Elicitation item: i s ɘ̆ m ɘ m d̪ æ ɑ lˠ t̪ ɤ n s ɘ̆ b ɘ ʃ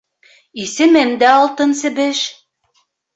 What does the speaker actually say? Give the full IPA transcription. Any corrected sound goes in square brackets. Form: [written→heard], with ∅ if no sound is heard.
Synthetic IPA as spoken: i s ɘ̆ m ɘ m d̪ æ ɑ lˠ t̪ ɤ n s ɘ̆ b ɘ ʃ